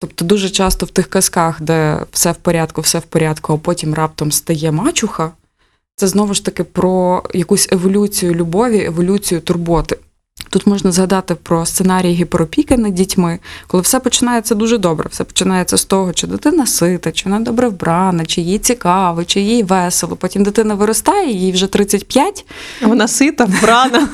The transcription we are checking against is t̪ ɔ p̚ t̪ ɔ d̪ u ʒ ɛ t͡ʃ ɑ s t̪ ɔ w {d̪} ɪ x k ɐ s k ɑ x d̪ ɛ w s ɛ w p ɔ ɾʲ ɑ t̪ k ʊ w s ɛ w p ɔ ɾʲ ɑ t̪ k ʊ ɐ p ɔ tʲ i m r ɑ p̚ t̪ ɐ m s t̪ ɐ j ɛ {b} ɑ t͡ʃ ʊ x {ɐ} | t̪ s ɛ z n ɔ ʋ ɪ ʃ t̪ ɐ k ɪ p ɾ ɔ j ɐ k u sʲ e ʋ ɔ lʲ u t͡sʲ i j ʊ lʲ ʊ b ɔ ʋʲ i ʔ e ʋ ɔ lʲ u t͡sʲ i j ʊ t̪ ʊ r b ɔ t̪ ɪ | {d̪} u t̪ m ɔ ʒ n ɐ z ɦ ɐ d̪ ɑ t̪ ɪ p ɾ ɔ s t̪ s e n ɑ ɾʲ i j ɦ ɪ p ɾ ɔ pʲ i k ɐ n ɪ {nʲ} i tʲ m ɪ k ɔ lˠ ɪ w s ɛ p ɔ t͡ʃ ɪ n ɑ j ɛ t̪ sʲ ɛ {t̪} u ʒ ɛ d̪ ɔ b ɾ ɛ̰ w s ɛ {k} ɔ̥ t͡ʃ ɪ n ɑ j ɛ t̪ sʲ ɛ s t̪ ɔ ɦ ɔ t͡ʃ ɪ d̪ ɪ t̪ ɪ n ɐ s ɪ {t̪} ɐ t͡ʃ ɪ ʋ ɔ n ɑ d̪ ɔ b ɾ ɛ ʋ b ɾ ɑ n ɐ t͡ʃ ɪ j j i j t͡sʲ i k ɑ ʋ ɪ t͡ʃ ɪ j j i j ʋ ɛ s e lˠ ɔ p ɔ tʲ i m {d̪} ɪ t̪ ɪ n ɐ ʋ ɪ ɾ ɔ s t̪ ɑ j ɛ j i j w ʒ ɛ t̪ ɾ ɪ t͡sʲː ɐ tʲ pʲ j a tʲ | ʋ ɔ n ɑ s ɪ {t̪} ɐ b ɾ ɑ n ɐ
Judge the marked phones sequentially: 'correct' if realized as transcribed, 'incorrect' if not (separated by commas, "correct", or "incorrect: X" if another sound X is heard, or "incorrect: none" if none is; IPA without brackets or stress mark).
incorrect: t̪, incorrect: m, correct, incorrect: t̪, incorrect: dʲ, incorrect: d̪, incorrect: p, correct, correct, correct